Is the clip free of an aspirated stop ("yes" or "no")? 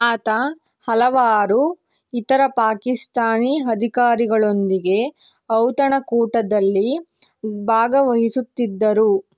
yes